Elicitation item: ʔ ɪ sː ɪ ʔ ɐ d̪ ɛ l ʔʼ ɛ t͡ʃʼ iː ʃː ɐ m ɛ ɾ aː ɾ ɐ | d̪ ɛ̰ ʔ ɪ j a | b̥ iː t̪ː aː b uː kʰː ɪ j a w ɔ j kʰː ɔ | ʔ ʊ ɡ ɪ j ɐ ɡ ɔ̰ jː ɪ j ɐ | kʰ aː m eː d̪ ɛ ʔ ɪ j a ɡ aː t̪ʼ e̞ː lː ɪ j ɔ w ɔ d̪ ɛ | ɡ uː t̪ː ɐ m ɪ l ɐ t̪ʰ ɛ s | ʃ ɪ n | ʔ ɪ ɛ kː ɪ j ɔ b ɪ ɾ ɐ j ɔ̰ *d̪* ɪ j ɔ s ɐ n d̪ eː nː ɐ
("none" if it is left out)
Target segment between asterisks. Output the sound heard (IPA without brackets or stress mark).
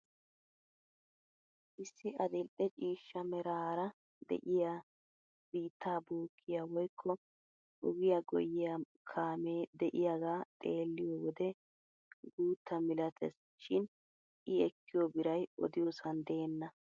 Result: d̪